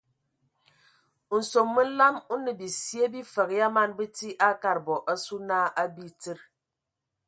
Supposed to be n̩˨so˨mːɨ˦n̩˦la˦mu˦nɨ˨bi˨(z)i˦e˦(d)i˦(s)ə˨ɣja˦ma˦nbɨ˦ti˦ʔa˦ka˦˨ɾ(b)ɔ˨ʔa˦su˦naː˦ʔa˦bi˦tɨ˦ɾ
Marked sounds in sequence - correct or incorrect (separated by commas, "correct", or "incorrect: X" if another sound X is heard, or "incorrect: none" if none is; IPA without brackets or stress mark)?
incorrect: s, incorrect: b, incorrect: f, correct